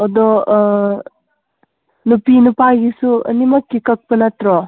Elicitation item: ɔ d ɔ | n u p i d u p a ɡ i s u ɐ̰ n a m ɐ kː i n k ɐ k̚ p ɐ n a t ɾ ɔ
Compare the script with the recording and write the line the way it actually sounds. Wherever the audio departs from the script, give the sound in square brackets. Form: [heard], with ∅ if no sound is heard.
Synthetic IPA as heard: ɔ d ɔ | n u p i [n] u p a ɡ i s u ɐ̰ n [i] m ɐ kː i [∅] k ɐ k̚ p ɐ n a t ɾ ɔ

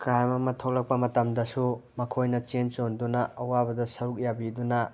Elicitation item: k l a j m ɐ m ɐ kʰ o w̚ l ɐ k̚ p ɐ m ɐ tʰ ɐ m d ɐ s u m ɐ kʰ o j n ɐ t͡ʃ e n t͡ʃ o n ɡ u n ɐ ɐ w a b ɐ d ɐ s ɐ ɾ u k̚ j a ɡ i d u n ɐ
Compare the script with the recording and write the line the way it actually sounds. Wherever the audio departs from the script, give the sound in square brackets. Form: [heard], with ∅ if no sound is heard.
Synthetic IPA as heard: k [ɾ] a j m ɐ m ɐ [tʰ] o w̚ l ɐ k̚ p ɐ m ɐ [t] ɐ m d ɐ s u m ɐ kʰ o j n ɐ t͡ʃ e n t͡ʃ o n [d] u n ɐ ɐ w a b ɐ d ɐ s ɐ ɾ u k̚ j a [b] i d u n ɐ

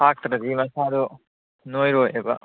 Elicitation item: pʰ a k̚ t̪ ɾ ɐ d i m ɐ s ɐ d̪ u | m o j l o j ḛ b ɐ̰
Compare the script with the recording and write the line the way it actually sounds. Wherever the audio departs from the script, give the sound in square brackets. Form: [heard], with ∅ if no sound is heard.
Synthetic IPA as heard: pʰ a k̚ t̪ ɾ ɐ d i m ɐ s [a] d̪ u | [n] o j [ɾ] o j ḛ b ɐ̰

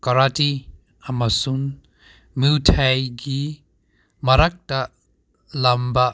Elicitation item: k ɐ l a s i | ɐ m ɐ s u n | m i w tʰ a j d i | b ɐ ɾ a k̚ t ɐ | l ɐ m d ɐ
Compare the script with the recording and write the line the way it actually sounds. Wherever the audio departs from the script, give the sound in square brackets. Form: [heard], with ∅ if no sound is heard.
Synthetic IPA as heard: k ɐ [ɾ] a [t] i | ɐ m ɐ s u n | m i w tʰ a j [ɡ] i | [m] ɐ ɾ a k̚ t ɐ | l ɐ m [b] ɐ

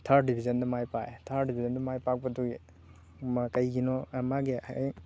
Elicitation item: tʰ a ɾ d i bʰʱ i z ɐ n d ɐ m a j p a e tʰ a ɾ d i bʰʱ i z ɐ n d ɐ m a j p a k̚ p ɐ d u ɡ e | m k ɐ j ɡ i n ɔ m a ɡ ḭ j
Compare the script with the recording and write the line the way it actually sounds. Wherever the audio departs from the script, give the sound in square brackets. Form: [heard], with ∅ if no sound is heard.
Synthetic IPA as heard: tʰ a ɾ d i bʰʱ i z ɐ n d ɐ m a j p a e tʰ a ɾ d i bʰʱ i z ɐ n d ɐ m a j p a k̚ p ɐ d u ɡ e | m k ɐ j ɡ i n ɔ m a ɡ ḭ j

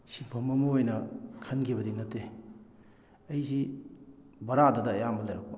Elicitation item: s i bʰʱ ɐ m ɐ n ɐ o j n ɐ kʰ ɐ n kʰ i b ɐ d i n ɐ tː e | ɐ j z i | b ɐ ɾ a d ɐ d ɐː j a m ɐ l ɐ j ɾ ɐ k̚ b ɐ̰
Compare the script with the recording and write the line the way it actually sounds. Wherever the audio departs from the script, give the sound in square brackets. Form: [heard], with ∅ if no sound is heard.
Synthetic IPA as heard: s i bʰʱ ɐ m ɐ [m] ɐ o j n ɐ kʰ ɐ n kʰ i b ɐ d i n ɐ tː e | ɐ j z i | b ɐ ɾ a d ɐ d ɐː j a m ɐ l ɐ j ɾ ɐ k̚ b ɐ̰

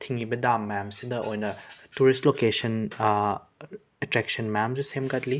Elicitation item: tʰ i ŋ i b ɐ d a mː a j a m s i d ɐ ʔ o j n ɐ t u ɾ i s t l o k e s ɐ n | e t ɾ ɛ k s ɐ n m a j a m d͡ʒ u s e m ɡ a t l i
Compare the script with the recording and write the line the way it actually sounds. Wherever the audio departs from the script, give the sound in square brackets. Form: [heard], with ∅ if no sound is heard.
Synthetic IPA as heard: tʰ i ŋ i b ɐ d a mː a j a m s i d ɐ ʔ o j n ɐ t u ɾ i s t l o k e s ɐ n | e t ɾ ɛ k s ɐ n m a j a m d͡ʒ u s e m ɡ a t l i

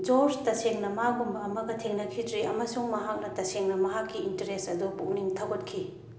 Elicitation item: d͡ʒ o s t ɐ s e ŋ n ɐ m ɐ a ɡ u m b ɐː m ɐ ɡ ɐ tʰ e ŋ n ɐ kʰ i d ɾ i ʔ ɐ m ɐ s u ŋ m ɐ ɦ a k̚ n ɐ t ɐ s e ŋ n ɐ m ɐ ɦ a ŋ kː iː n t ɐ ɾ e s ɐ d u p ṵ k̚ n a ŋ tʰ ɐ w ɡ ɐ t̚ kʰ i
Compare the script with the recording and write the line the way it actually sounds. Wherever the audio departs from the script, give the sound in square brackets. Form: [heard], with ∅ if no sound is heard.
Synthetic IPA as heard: d͡ʒ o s t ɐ s e ŋ n ɐ m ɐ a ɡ u m b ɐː m ɐ ɡ ɐ tʰ e ŋ n ɐ kʰ i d ɾ i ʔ ɐ m ɐ s u ŋ m ɐ ɦ a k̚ n ɐ t ɐ s e ŋ n ɐ m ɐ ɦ a [∅] kː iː n t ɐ ɾ e s ɐ d u p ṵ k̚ n [i] ŋ tʰ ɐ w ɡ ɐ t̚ kʰ i

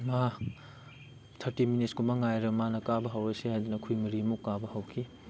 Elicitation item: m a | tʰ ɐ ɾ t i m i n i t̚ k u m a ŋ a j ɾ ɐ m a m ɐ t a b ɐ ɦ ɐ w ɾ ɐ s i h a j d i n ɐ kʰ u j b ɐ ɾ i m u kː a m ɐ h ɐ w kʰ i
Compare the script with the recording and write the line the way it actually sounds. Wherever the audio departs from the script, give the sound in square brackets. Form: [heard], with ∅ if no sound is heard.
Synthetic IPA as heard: m a | tʰ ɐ ɾ t i m i n i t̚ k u m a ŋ a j ɾ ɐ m a [n] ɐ [k] a b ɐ ɦ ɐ w ɾ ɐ s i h a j d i n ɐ kʰ u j [m] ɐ ɾ i m u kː a [b] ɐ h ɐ w kʰ i

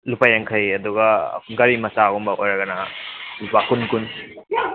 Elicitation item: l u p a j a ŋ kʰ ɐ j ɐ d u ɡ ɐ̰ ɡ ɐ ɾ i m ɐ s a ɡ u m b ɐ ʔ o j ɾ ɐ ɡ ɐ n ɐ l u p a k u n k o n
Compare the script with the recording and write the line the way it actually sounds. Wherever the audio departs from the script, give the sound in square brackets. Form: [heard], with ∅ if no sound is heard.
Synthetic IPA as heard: l u p a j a ŋ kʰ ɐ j ɐ d u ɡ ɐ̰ ɡ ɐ ɾ i m ɐ s a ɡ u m b ɐ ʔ o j ɾ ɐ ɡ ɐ n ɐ l u p a k u n k [u] n

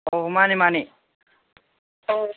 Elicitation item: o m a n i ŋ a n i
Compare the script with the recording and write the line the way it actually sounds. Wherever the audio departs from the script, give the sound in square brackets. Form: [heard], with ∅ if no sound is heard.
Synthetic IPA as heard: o m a n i [m] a n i

